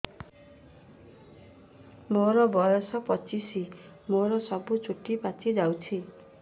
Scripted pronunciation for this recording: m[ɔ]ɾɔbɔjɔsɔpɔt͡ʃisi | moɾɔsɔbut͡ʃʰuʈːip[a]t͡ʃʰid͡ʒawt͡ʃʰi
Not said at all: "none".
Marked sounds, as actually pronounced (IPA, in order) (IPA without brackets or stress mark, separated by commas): o, a